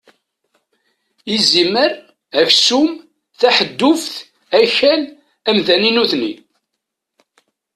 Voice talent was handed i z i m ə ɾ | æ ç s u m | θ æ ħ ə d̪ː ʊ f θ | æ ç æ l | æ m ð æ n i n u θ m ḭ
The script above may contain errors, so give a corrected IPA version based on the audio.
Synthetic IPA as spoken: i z i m ə ɾ | æ ç s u m | θ æ ħ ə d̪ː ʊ f θ | æ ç æ l | æ m ð æ n i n u θ n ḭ